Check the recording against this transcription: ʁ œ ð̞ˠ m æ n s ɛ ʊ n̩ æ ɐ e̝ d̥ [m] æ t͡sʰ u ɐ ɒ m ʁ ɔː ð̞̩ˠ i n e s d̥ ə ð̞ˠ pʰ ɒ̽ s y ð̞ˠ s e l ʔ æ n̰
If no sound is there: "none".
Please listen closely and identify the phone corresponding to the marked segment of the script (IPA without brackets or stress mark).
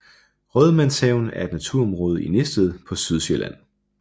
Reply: n